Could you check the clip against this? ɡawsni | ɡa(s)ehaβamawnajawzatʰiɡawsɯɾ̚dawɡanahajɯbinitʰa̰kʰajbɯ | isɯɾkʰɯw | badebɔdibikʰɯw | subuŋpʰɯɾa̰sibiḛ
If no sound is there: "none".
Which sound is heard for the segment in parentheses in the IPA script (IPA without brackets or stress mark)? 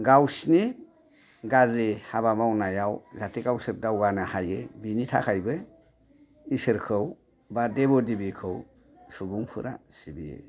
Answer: z